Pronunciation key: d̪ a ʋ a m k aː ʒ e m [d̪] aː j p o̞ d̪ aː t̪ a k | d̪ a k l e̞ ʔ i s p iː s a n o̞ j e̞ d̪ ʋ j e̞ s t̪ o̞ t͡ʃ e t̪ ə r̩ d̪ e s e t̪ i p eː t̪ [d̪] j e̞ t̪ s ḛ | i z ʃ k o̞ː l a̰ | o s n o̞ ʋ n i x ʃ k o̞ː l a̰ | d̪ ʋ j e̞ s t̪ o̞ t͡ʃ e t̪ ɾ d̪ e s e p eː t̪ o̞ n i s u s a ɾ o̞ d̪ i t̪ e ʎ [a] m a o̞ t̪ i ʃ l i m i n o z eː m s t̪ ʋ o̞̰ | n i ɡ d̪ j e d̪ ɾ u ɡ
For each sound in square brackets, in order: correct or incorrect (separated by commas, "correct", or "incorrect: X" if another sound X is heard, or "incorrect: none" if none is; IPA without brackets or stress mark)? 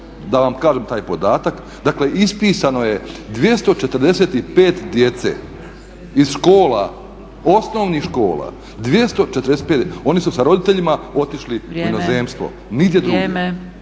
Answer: incorrect: t̪, correct, incorrect: i